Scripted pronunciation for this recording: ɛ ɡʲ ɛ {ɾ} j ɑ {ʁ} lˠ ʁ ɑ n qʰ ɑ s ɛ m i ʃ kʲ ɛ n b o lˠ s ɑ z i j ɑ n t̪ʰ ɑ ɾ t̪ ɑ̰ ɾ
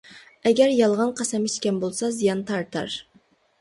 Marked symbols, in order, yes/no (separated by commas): yes, no